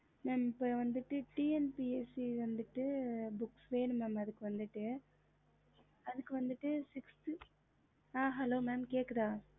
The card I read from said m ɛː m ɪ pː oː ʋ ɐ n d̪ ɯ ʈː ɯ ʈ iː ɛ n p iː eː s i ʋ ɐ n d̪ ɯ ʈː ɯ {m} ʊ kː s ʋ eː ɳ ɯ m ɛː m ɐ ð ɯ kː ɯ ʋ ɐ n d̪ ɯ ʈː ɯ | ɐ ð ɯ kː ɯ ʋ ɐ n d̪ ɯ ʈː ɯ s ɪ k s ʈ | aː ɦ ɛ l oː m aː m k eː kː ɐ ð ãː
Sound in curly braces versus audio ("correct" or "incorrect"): incorrect